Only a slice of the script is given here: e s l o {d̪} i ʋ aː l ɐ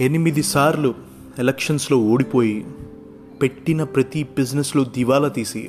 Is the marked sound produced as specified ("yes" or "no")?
yes